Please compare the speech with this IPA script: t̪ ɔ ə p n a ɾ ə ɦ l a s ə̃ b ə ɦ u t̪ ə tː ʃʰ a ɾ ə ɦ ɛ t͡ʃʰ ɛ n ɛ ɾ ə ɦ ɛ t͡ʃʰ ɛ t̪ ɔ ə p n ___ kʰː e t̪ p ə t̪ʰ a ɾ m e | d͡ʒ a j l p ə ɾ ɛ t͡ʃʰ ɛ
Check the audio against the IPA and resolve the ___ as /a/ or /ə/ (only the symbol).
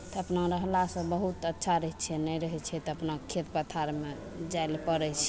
a